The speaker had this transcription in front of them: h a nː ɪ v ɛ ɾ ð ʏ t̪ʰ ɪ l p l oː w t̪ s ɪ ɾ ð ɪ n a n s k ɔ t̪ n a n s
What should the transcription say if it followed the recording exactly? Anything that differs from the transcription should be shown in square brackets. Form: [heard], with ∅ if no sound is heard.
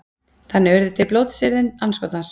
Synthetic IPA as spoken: [θ] a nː ɪ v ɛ ɾ ð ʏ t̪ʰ ɪ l p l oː w t̪ s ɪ ɾ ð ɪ n a n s k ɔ t̪ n a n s